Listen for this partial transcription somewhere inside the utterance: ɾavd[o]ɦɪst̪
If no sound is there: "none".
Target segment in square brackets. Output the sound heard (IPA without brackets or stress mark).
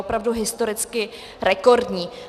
u